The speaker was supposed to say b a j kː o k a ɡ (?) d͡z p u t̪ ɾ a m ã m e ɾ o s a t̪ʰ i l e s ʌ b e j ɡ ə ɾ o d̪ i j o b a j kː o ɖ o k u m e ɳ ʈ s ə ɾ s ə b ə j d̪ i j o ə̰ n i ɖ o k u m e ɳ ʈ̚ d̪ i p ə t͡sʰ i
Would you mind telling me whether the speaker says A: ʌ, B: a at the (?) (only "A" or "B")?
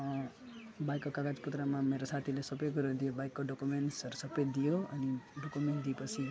B